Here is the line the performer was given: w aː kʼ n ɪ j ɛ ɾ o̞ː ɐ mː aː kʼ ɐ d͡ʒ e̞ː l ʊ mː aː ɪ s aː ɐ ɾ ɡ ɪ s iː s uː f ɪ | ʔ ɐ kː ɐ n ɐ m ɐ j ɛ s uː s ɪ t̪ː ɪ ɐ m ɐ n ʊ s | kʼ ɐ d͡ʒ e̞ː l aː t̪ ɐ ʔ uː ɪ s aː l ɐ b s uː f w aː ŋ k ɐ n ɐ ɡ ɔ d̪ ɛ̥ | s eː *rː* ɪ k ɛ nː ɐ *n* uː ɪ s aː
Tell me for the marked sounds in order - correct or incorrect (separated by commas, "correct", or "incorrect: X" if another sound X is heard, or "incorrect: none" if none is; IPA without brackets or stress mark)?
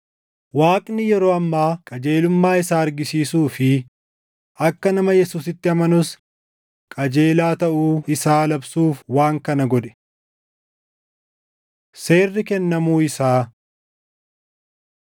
correct, incorrect: m